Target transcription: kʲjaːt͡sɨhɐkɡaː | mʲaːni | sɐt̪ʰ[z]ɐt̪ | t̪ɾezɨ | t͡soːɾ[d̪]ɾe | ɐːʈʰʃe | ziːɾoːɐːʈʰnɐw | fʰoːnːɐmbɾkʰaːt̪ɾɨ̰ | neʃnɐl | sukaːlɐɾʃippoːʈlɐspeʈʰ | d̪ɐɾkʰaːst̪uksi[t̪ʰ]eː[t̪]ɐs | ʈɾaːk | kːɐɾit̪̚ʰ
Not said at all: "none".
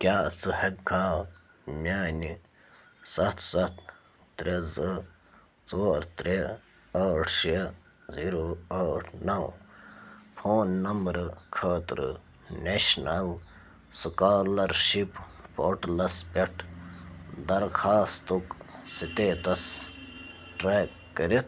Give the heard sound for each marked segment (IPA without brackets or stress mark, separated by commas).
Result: s, t̪, t̪, t̪